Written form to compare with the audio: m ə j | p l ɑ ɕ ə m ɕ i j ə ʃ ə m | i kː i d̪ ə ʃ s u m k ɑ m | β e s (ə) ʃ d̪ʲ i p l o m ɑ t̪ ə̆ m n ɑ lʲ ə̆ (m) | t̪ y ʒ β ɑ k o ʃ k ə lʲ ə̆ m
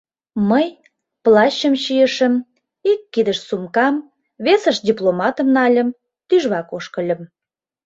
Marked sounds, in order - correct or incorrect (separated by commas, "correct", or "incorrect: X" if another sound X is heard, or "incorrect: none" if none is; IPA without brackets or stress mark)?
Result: correct, correct